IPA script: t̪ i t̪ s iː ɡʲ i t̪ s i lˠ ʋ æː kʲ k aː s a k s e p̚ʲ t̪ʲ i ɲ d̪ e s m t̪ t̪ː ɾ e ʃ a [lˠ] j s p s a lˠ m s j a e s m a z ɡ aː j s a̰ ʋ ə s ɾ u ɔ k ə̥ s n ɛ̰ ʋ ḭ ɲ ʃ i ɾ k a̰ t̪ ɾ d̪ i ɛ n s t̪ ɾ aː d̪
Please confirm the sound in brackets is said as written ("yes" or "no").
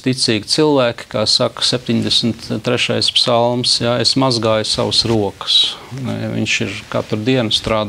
no